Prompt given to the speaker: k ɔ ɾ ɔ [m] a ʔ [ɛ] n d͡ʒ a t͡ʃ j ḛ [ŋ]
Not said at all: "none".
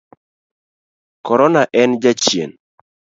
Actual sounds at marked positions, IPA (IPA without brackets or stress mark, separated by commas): n, ɛ, n